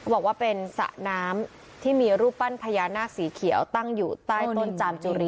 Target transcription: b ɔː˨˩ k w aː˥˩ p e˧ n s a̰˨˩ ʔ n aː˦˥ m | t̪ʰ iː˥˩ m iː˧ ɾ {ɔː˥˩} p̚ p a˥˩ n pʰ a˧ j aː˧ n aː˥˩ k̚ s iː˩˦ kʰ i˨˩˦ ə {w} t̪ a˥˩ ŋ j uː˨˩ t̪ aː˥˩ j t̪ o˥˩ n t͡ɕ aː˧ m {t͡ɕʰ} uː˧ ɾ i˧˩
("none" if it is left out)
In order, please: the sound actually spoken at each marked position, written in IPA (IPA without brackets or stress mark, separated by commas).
uː˥˩, w, t͡ɕ